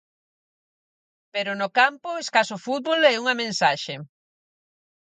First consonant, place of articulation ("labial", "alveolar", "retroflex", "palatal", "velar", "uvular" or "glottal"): labial